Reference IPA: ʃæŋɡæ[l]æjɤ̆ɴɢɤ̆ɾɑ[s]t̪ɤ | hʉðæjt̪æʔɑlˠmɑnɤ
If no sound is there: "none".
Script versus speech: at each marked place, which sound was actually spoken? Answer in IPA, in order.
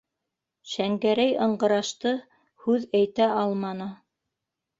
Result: ɾ, ʃ

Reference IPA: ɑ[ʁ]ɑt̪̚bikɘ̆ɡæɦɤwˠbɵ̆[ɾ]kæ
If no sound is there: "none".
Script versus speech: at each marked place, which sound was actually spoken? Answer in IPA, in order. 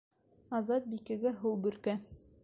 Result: z, ɾ

